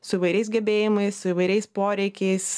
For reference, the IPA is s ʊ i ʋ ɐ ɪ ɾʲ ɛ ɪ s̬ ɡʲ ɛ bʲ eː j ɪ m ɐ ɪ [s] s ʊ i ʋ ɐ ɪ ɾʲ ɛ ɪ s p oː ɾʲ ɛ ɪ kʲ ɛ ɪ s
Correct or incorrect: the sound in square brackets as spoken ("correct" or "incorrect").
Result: correct